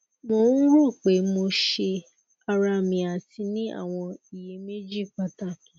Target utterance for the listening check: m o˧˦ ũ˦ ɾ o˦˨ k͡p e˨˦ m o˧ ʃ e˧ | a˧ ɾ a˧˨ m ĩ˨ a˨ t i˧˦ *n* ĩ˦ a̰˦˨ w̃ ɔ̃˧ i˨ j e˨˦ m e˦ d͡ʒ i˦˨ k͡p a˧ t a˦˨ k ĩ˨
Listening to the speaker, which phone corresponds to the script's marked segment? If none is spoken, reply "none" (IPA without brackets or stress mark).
n